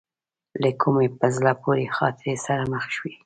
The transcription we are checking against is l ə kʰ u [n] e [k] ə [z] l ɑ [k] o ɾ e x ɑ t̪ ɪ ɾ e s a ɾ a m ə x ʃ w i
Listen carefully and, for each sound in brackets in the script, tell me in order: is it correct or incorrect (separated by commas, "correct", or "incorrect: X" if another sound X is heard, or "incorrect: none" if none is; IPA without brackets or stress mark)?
incorrect: m, incorrect: p, correct, incorrect: p